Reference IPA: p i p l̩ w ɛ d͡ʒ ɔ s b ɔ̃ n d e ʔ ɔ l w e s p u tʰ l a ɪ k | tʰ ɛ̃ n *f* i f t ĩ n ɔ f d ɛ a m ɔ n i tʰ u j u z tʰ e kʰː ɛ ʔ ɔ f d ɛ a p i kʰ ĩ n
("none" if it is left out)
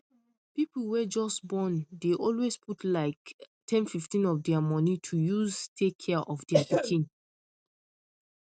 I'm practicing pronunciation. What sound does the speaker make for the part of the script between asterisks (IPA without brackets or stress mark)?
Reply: f